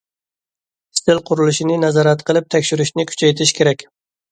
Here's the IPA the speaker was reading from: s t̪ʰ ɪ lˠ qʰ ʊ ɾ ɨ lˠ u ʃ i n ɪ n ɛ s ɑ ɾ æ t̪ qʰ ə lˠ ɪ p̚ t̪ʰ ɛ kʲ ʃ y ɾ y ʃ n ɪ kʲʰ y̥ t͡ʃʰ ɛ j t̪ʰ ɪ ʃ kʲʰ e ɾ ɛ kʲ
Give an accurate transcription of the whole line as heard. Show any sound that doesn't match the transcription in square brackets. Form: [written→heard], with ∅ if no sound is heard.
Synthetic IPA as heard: s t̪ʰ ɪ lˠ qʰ ʊ ɾ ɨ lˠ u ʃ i n ɪ n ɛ [s→z] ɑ ɾ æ t̪ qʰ ə lˠ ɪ p̚ t̪ʰ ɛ kʲ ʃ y ɾ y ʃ n ɪ kʲʰ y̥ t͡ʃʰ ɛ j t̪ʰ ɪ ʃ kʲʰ e ɾ ɛ kʲ